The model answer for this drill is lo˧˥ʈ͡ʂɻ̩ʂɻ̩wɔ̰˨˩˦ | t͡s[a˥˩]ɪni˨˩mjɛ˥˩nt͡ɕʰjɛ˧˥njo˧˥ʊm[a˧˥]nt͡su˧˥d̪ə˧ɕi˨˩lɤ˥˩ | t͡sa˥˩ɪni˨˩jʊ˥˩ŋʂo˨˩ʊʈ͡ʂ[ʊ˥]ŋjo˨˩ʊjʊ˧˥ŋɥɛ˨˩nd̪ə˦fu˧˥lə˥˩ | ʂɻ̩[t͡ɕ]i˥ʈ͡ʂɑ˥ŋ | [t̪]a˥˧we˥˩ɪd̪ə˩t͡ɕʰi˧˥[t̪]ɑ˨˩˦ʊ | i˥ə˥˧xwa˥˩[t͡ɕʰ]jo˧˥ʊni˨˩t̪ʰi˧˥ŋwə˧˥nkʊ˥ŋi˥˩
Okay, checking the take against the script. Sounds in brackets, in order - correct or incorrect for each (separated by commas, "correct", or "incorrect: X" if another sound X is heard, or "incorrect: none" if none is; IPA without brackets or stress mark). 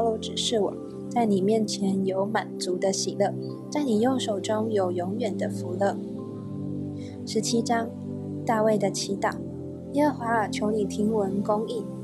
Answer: correct, incorrect: a˨˩, correct, incorrect: t͡ɕʰ, correct, correct, correct